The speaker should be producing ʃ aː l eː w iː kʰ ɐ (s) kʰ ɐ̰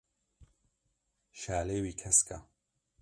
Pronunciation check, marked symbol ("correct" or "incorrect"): correct